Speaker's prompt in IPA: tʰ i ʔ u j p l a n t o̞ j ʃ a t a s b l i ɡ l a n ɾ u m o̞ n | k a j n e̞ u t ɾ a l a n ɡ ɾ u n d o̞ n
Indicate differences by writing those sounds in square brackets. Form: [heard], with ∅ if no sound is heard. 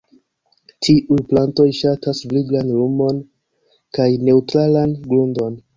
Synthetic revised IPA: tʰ i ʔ u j p l a n t o̞ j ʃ a t a s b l i ɡ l a n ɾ u m o̞ n | k a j n e̞ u t ɾ a l a n ɡ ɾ u n d o̞ n